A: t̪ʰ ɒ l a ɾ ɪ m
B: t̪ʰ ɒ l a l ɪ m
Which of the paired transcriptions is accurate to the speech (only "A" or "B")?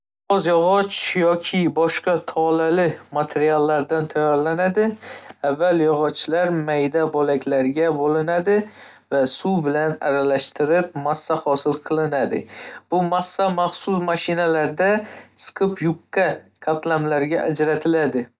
B